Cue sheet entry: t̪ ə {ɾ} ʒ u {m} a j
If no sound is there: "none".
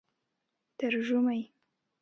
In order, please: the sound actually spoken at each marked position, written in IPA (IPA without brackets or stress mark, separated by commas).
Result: ɾ, m